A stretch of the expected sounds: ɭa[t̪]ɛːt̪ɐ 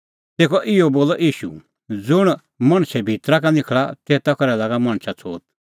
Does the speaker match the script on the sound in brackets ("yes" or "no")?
yes